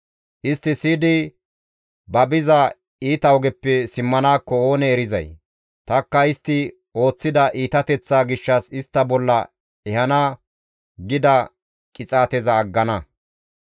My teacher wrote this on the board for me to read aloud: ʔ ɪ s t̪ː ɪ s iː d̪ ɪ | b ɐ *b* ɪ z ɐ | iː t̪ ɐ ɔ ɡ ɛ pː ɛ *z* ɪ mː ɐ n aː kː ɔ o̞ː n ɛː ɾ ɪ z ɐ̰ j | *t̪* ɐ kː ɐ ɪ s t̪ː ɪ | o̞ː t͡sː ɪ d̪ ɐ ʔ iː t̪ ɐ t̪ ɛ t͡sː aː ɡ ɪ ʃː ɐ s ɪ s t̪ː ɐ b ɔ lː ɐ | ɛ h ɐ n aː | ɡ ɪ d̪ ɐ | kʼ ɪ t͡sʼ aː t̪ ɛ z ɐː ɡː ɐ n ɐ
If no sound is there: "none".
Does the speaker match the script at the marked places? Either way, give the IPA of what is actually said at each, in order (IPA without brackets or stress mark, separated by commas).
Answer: b, s, t̪